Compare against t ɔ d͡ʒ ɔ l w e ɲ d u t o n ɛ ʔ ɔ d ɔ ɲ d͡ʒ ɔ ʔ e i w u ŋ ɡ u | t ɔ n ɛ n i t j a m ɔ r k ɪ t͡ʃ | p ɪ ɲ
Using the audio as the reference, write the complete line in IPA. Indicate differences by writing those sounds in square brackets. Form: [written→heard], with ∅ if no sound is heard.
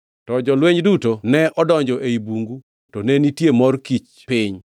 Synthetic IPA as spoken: t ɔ d͡ʒ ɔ l w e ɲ d u t o n ɛ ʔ ɔ d ɔ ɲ d͡ʒ ɔ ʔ e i [w→b] u ŋ ɡ u | t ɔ n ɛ n i t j [a→e] m ɔ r k [ɪ→i] t͡ʃ | p ɪ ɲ

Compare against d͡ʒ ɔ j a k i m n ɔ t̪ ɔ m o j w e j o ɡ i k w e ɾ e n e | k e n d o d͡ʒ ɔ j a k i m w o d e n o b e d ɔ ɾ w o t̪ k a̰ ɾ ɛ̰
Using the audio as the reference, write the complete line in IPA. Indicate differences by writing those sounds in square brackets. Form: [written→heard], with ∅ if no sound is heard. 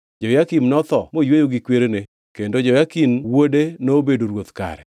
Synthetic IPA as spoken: d͡ʒ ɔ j a k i m n ɔ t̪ ɔ m o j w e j o ɡ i k w e ɾ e n e | k e n d o d͡ʒ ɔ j a k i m w o d e n o b e d [ɔ→o] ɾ w o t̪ k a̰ ɾ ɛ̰

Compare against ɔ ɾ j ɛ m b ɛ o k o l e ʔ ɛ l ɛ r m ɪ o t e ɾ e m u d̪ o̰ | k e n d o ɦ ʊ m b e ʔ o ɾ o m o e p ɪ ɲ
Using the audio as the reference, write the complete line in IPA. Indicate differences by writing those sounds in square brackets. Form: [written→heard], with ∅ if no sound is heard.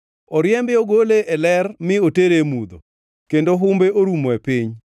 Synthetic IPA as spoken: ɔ ɾ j ɛ m b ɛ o [k→ɡ] o l e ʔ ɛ l ɛ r m ɪ o t e ɾ e m u d̪ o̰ | k e n d o ɦ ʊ m b e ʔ o ɾ [o→u] m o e p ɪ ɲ

